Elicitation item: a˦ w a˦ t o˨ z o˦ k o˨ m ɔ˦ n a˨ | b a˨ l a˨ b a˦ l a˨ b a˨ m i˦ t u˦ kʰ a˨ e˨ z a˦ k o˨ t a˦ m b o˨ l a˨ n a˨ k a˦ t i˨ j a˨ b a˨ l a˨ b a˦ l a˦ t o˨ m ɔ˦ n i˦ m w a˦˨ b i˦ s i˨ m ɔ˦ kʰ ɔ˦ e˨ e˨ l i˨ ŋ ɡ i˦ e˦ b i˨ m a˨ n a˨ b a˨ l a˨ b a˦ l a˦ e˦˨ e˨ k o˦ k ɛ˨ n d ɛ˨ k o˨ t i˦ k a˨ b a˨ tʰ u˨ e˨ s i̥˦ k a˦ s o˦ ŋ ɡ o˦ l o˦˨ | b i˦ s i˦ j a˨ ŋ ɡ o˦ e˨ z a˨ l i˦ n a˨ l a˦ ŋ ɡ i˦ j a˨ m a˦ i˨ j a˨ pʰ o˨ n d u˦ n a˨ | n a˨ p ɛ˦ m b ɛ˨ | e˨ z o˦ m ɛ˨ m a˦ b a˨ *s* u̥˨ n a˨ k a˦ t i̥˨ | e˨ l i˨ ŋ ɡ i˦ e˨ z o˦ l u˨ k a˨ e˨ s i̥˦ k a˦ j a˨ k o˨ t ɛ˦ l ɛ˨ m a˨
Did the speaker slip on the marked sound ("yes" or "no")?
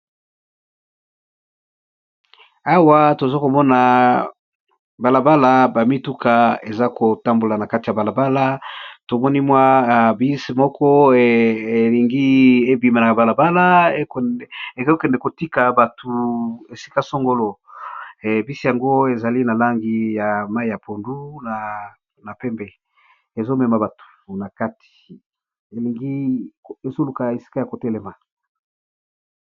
yes